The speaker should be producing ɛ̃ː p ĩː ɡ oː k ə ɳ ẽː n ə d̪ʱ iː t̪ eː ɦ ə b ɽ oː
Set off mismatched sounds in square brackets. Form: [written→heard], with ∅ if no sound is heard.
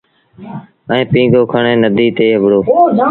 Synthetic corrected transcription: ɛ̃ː p ĩː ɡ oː [k→kʰ] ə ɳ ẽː n ə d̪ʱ iː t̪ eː ɦ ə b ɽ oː